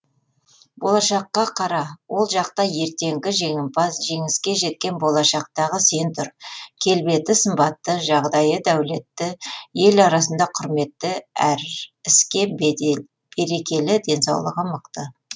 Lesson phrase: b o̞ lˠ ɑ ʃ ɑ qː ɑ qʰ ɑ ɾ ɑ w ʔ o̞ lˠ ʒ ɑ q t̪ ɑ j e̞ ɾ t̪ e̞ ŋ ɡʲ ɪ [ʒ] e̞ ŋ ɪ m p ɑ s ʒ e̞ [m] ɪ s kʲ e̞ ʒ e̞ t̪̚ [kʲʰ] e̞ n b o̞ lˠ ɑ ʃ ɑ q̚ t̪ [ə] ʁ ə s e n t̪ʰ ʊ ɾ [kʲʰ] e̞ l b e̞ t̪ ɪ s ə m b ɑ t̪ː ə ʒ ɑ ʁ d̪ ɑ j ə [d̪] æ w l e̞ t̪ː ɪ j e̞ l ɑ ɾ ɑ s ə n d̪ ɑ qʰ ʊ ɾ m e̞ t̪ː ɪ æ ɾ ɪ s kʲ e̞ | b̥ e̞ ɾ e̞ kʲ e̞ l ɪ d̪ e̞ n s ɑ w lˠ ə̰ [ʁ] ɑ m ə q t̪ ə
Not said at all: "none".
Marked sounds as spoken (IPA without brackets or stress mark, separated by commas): ʒ, ŋ, kʲ, ɑ, kʲʰ, d̪, ʁ